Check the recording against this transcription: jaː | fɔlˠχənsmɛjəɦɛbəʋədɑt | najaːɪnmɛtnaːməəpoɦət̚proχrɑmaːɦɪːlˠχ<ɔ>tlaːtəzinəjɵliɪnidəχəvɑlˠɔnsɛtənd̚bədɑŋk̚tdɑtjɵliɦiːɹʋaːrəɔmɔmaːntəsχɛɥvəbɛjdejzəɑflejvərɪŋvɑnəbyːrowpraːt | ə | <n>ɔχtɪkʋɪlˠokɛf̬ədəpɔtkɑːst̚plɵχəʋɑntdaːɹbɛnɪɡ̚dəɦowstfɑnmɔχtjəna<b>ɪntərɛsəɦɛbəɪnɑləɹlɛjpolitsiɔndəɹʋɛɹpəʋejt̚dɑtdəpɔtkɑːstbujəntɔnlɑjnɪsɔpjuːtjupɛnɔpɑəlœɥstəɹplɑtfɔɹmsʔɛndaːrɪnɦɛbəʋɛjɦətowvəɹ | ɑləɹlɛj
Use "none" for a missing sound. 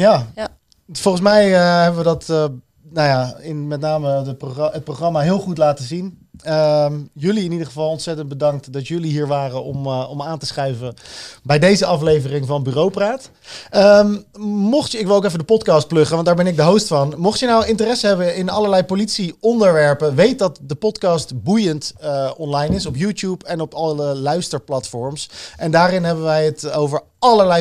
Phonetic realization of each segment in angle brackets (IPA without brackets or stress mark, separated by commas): u, m, w